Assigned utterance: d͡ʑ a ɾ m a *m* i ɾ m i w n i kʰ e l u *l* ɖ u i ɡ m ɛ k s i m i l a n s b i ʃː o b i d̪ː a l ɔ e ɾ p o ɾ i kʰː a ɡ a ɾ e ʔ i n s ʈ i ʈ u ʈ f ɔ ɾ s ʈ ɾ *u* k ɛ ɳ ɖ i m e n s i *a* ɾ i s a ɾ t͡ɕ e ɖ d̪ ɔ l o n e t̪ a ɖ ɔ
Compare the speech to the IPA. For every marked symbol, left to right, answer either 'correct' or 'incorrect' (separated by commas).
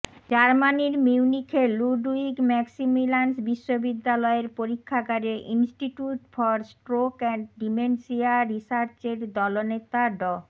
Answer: incorrect, incorrect, incorrect, correct